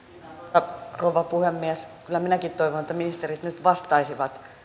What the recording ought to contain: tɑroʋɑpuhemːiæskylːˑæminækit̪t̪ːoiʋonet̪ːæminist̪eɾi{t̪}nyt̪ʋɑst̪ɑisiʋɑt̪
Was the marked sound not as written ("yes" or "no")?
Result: no